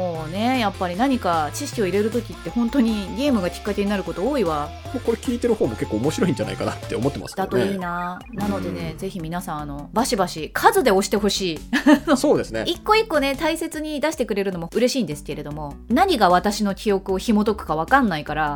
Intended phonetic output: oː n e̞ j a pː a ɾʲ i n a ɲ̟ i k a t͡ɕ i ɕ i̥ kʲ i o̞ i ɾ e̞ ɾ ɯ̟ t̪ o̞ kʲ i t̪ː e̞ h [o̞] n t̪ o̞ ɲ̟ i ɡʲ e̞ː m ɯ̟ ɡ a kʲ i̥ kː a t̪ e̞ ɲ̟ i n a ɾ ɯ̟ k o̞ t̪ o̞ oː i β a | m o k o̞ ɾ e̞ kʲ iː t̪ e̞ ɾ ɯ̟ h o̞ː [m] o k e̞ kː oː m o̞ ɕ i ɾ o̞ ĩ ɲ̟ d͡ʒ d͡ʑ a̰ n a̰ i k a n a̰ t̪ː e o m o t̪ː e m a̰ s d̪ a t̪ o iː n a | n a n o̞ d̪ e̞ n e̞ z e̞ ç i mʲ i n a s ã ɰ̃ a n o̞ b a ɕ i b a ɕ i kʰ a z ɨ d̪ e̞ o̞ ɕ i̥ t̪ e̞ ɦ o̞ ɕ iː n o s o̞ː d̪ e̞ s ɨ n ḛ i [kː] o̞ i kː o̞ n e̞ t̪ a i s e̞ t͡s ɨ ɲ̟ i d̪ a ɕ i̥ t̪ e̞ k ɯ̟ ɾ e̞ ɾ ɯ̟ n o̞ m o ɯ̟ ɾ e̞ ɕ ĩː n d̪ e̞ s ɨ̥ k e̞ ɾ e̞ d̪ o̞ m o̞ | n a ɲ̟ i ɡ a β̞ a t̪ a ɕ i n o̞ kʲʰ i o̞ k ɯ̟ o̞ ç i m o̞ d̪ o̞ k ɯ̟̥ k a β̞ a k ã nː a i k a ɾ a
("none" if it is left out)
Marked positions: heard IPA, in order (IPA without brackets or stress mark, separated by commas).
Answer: õ̞, m, kː